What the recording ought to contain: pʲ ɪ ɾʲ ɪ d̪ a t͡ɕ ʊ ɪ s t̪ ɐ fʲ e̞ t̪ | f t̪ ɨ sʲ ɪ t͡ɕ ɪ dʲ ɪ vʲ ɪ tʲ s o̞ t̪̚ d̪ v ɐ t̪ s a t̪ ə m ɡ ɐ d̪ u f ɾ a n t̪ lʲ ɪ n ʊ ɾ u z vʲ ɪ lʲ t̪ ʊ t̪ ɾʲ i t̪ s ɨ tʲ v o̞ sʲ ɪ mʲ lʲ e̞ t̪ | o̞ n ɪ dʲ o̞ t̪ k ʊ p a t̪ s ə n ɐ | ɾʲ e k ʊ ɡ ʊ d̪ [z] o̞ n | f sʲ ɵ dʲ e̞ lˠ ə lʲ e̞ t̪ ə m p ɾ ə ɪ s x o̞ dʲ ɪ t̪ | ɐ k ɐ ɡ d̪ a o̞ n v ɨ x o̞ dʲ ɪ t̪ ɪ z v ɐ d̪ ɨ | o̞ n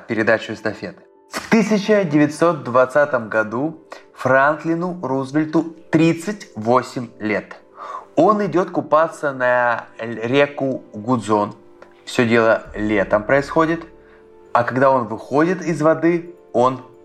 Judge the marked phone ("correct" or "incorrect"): correct